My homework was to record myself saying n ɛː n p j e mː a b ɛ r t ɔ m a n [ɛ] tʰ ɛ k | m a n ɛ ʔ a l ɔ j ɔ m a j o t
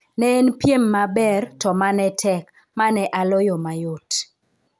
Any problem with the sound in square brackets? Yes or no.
no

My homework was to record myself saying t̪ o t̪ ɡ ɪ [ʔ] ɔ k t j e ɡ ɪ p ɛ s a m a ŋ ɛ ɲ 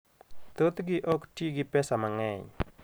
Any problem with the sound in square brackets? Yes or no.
no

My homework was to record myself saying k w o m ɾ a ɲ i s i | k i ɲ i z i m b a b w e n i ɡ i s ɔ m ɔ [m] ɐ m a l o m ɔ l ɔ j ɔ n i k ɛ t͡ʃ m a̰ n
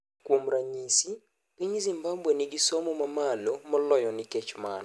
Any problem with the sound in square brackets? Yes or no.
no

